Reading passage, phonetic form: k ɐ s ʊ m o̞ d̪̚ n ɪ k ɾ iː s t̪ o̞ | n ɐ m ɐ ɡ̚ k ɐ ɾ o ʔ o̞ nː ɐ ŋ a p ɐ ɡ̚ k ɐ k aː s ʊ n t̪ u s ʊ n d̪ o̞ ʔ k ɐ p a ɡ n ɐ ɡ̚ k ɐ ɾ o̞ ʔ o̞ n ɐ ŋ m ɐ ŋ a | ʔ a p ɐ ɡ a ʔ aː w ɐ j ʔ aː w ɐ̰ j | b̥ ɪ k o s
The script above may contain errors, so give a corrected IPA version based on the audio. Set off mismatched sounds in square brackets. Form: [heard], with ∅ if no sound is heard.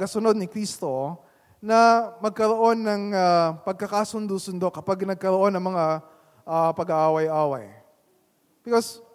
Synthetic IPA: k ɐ s ʊ [n] o̞ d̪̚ n ɪ k ɾ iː s t̪ o̞ | n ɐ m ɐ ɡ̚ k ɐ ɾ o ʔ o̞ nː ɐ ŋ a p ɐ ɡ̚ k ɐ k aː s ʊ n [d̪] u s ʊ n d̪ o̞ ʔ k ɐ p a ɡ n ɐ ɡ̚ k ɐ ɾ o̞ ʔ o̞ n ɐ ŋ m ɐ ŋ a | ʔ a p ɐ ɡ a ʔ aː w ɐ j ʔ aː w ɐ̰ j | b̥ ɪ k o s